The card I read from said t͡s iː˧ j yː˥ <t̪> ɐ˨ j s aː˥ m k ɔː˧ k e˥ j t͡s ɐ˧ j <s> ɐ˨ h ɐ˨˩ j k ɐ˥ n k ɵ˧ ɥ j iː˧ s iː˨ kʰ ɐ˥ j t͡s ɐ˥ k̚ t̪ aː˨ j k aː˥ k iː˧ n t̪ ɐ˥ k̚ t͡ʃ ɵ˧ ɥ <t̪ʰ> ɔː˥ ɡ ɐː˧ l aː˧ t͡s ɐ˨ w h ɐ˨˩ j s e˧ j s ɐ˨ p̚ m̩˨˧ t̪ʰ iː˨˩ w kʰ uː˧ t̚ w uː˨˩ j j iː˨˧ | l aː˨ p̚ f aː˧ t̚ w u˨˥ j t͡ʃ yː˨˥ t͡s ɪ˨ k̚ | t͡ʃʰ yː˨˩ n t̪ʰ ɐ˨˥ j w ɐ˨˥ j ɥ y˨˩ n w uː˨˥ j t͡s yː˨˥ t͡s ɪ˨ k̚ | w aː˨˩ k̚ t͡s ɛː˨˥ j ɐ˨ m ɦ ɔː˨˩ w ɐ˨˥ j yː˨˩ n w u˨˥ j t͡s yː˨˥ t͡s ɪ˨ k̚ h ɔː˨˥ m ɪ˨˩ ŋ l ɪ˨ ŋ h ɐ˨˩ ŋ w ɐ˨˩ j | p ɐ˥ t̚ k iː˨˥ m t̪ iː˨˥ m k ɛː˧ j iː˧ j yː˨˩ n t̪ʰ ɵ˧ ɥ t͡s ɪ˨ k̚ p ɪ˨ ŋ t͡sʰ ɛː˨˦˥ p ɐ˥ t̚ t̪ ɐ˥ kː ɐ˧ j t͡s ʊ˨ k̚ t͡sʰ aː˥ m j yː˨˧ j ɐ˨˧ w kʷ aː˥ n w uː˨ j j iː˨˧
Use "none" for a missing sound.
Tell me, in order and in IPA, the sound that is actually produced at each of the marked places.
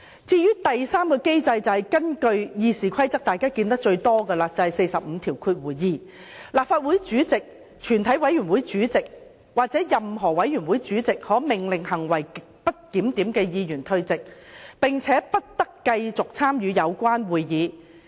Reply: t̪, t͡s, t̪

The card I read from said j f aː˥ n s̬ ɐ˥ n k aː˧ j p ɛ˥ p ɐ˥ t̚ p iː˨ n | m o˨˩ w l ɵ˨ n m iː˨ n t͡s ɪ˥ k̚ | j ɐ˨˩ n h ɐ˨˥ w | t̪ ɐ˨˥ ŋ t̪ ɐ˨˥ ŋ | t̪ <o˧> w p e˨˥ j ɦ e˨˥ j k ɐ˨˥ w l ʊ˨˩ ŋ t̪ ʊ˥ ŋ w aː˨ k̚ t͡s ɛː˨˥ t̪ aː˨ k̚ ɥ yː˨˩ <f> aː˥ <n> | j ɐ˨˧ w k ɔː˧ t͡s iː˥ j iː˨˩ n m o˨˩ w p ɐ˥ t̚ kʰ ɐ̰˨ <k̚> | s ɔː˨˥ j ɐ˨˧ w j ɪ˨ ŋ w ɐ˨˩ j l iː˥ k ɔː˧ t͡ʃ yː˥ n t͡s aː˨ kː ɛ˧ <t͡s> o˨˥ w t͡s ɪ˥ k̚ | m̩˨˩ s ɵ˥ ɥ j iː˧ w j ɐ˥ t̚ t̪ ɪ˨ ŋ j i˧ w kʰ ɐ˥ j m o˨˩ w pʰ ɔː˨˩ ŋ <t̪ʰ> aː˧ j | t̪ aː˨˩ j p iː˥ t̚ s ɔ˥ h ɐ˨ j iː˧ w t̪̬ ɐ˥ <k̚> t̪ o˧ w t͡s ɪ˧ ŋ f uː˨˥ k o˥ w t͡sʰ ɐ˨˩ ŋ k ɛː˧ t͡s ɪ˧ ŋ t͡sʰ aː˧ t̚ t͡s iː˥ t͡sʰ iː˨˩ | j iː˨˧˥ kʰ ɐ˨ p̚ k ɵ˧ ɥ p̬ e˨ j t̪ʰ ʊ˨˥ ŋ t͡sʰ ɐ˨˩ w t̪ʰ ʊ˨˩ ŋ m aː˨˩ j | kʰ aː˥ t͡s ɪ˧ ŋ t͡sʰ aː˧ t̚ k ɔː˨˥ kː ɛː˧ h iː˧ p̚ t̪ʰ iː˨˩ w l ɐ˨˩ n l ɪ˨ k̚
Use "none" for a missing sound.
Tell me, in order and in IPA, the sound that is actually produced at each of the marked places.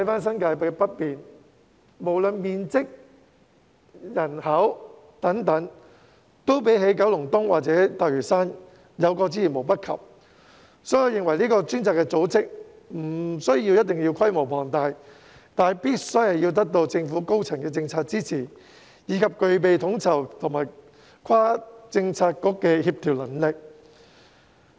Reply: o˥, s, n, p̚, t͡s, t̪, k̚

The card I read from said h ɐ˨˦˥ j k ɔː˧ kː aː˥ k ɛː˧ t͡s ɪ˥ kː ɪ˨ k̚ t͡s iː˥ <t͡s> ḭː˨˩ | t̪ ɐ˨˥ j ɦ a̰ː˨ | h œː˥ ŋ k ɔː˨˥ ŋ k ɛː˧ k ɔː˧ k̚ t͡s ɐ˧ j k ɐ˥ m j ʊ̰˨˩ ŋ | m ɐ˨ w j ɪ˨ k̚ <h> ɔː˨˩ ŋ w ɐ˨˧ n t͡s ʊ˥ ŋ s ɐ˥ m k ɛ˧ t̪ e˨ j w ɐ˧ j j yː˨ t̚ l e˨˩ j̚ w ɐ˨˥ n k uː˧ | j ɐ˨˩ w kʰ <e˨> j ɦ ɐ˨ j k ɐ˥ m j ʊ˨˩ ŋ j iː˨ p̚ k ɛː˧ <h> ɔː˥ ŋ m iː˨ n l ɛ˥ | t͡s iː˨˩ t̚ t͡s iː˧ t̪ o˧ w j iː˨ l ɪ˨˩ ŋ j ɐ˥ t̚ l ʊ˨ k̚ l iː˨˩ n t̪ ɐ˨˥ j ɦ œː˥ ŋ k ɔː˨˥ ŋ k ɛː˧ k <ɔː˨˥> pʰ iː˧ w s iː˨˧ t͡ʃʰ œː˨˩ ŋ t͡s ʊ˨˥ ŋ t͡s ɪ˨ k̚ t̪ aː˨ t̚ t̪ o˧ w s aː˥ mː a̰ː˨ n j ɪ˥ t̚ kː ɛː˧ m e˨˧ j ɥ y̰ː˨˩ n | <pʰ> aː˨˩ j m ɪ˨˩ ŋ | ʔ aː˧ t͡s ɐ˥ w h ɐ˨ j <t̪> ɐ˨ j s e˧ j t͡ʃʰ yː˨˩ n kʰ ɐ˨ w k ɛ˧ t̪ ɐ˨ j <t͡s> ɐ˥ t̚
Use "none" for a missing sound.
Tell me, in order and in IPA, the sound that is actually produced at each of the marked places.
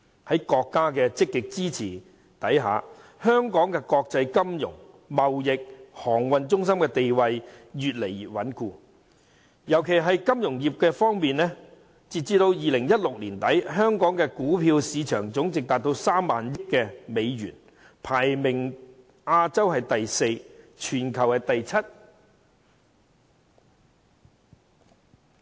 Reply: t͡sʰ, h, e˨, f, uː˨˥, pʰ, t̪, t͡sʰ

